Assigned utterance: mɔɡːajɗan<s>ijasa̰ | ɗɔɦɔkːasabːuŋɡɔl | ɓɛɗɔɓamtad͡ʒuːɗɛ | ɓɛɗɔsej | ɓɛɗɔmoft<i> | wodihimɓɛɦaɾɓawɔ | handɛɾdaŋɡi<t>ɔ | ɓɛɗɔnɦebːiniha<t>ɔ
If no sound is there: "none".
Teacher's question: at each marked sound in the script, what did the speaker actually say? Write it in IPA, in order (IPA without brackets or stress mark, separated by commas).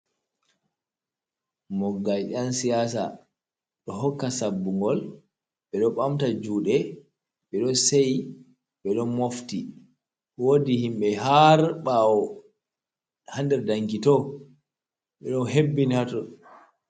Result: s, i, t, t